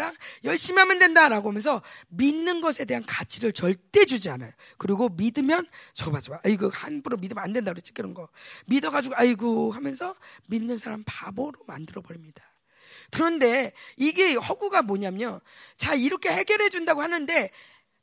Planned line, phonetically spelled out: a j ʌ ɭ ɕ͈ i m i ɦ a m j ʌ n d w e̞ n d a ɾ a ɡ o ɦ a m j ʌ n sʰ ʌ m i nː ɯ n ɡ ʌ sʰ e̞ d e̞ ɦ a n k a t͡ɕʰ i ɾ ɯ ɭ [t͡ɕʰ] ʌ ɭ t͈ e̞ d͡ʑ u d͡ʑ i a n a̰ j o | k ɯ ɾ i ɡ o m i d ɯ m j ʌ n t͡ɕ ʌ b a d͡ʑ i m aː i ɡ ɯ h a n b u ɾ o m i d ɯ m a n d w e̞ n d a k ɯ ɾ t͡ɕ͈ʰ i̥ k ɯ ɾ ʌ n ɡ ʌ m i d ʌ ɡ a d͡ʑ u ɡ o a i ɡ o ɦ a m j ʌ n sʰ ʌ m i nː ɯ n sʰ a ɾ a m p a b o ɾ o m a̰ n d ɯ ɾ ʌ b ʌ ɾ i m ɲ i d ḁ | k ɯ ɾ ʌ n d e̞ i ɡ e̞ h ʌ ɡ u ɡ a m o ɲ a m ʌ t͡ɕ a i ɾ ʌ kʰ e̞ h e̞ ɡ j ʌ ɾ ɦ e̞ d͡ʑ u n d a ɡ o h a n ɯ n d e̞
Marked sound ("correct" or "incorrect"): incorrect